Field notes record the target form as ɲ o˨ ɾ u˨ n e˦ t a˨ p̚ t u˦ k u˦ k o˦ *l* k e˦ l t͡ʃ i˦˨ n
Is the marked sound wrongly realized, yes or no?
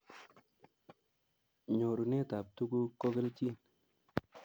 yes